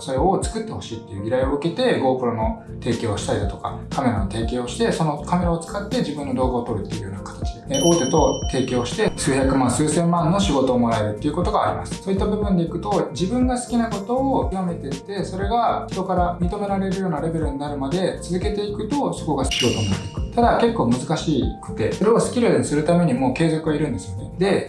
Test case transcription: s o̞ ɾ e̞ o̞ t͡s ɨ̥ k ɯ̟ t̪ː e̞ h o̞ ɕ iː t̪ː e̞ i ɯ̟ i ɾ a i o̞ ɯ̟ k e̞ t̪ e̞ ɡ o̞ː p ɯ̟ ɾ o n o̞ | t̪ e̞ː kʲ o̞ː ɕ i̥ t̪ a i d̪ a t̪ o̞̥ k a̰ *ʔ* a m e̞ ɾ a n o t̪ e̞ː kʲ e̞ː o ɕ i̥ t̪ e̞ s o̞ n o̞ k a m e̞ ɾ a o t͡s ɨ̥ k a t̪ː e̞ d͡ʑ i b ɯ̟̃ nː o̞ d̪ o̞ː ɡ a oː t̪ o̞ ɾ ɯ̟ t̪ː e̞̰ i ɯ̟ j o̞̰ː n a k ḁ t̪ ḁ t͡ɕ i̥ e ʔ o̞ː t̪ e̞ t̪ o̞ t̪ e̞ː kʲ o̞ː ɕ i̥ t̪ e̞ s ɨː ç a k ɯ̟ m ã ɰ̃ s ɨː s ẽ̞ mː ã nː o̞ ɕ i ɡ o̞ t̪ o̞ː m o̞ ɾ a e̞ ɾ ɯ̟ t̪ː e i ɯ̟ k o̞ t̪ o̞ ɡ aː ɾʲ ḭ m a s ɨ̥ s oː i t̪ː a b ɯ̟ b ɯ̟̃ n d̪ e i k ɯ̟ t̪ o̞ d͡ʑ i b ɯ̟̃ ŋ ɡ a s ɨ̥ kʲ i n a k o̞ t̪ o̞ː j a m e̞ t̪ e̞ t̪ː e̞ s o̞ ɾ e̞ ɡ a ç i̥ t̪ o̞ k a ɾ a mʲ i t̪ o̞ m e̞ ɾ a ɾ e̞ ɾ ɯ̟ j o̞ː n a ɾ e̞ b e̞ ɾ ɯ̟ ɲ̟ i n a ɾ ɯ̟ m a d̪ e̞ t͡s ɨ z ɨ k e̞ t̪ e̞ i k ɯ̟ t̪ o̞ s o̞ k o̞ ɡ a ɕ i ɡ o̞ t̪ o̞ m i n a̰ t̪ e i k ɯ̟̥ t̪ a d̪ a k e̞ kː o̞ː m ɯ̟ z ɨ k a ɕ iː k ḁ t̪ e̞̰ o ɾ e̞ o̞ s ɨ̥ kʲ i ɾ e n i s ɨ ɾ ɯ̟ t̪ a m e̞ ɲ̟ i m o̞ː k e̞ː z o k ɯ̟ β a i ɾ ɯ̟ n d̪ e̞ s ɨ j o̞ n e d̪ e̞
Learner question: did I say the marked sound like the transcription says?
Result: no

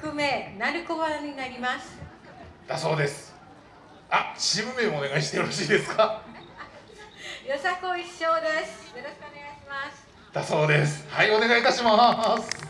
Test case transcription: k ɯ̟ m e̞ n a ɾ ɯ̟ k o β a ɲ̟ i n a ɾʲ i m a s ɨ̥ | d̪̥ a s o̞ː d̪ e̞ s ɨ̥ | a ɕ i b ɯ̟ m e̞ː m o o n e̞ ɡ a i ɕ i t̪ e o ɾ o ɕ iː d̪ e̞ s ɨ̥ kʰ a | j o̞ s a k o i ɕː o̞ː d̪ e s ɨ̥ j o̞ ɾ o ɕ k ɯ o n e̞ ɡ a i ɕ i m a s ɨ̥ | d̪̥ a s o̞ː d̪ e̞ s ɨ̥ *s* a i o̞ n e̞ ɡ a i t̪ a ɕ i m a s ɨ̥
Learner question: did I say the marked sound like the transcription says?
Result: no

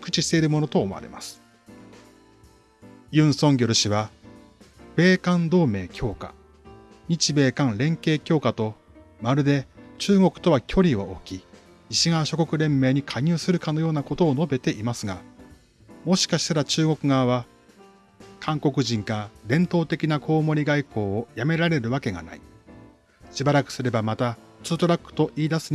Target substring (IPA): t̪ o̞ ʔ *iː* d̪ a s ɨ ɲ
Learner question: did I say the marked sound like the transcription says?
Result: yes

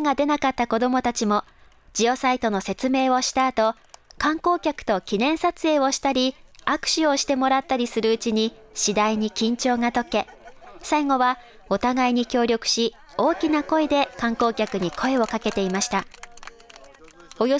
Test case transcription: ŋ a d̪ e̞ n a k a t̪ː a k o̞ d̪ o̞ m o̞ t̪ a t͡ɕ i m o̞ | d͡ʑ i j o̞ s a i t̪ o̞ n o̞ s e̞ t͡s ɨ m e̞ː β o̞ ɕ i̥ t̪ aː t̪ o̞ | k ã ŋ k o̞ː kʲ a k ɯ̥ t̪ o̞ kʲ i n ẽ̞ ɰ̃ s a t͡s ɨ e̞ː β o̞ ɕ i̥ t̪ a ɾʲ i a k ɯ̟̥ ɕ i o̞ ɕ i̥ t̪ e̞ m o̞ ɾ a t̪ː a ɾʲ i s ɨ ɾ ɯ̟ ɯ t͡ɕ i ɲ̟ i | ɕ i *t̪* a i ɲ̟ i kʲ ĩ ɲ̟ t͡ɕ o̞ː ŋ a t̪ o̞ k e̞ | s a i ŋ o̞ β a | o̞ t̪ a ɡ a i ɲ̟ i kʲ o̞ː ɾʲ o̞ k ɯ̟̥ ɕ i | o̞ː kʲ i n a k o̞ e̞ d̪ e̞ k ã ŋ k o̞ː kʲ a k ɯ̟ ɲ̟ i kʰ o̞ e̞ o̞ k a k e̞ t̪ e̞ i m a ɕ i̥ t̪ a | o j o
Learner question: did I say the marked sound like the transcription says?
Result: no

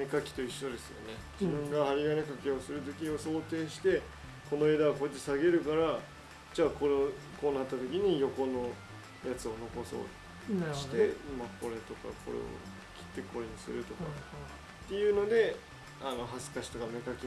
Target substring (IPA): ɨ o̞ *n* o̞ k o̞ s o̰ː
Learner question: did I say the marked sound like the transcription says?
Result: yes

